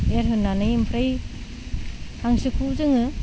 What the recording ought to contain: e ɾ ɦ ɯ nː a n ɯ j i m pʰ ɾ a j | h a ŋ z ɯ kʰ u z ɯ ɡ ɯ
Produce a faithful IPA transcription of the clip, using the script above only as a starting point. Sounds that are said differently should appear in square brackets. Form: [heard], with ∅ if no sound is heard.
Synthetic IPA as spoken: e ɾ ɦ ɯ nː a n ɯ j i m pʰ ɾ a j | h a ŋ [s] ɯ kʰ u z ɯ [ŋ] ɯ